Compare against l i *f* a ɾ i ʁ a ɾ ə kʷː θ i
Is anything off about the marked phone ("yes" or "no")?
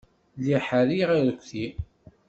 yes